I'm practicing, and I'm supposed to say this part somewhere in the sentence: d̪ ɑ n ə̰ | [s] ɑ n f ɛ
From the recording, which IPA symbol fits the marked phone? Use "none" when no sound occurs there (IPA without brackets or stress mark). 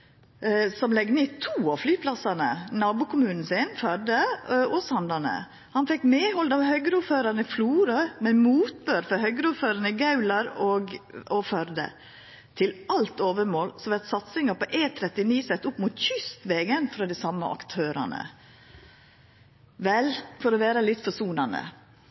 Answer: h